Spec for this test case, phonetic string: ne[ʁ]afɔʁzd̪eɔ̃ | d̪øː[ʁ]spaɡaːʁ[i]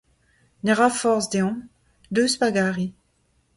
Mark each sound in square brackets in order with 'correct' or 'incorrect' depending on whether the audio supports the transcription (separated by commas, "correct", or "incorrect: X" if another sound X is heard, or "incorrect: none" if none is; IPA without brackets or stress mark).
correct, incorrect: none, correct